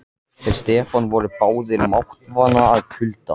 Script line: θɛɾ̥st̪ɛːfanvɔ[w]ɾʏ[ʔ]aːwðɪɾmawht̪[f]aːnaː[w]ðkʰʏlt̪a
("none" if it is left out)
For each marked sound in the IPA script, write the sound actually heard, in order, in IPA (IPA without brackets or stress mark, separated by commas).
none, p, v, none